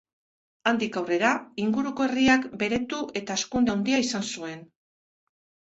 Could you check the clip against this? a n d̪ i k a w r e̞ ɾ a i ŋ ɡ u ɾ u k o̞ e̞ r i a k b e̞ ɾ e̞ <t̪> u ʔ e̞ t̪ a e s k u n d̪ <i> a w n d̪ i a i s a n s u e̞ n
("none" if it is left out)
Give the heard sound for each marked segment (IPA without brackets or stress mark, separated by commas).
t̪, e